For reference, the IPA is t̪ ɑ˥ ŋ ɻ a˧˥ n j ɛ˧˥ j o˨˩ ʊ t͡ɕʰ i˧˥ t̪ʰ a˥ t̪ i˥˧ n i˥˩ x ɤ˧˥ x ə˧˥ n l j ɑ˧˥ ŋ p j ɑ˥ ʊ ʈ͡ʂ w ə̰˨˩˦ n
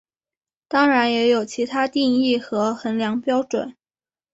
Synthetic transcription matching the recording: t̪ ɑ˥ ŋ ɻ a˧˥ n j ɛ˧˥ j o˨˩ ʊ t͡ɕʰ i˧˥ t̪ʰ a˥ t̪ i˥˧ ŋ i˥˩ x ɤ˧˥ x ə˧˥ n l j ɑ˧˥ ŋ p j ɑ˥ ʊ ʈ͡ʂ w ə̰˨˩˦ n